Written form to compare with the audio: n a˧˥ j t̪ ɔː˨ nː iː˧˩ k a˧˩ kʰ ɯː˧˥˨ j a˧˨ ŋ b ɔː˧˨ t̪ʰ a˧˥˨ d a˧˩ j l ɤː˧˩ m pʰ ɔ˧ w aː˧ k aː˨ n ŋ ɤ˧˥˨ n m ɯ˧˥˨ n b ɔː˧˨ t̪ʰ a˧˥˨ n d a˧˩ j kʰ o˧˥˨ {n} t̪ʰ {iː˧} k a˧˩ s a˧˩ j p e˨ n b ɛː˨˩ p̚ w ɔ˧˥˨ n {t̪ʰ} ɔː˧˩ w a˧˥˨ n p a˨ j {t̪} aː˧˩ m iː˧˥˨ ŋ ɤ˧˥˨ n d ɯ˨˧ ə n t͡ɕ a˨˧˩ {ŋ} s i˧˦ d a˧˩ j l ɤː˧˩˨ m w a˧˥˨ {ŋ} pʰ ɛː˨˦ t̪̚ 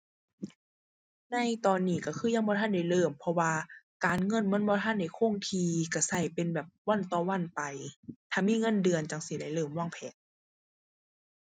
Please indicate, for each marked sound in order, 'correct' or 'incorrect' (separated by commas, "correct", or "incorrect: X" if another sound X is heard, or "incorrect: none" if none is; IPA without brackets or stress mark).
incorrect: ŋ, correct, incorrect: t̪, incorrect: t̪ʰ, correct, correct